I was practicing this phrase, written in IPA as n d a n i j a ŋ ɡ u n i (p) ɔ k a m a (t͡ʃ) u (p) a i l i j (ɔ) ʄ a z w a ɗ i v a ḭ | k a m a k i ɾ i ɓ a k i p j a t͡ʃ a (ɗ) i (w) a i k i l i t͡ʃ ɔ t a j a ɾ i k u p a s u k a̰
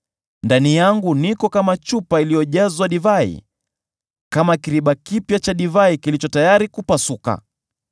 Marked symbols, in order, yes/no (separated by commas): no, yes, yes, yes, yes, no